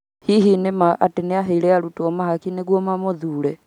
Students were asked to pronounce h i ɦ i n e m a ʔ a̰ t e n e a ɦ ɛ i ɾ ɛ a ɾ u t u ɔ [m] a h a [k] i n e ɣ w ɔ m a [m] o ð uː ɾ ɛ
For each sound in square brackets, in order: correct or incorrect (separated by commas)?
correct, correct, correct